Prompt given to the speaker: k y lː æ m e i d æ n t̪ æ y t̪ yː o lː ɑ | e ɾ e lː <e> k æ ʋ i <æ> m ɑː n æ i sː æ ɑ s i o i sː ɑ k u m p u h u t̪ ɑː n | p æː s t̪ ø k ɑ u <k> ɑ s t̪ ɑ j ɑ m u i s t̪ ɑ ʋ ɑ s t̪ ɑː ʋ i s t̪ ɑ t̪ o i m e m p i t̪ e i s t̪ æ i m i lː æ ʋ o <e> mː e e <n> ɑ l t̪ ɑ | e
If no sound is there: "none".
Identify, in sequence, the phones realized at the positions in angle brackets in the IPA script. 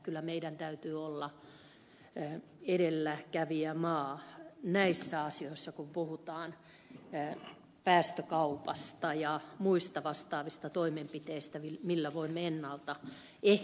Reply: æ, æ, p, i, nː

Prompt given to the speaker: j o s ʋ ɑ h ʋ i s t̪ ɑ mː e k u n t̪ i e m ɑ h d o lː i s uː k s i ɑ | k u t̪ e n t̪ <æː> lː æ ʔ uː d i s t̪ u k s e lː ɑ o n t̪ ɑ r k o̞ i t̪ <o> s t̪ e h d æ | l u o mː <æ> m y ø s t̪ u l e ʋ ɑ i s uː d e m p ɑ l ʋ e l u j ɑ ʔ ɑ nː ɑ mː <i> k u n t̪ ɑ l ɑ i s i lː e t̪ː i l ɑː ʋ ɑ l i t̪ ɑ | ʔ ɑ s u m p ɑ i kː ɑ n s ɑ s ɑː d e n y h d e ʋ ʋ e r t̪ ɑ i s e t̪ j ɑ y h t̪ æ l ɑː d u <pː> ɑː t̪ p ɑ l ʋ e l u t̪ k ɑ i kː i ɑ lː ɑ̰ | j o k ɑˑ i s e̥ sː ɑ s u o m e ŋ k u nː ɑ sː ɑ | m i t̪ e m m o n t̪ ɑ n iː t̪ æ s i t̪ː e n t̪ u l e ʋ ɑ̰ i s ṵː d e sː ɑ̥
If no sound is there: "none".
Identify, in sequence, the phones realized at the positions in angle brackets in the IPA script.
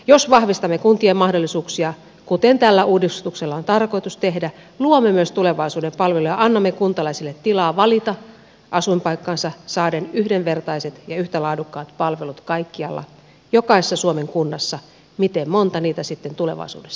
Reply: æ, u, e, e, kː

